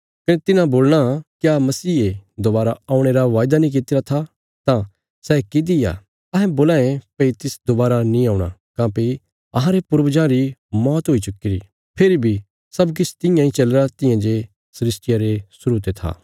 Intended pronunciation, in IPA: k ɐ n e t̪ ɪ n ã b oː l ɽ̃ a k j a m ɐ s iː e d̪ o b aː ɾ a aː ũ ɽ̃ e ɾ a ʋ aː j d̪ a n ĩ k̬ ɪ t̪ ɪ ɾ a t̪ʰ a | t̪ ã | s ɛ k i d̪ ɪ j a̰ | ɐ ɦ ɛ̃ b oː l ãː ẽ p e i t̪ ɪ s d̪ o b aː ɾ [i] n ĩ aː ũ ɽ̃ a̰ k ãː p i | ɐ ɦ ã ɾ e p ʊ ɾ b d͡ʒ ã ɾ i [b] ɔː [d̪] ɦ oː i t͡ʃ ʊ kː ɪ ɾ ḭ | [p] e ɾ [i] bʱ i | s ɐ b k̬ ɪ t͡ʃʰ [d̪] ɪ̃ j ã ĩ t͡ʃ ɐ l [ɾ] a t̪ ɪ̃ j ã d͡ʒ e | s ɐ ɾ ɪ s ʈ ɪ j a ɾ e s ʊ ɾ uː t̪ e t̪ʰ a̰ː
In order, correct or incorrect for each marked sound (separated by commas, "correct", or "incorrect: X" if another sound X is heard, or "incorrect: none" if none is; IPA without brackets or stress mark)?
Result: incorrect: a, incorrect: m, incorrect: t̪, incorrect: pʰ, correct, incorrect: t̪, correct